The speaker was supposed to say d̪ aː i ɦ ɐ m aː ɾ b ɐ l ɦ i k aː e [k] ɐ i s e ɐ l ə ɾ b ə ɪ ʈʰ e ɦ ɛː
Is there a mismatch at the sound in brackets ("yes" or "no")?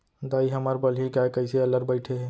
no